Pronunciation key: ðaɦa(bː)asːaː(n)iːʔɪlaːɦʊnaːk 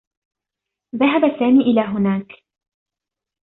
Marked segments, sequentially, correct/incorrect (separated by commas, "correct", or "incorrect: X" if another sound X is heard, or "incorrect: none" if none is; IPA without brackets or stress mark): incorrect: b, incorrect: m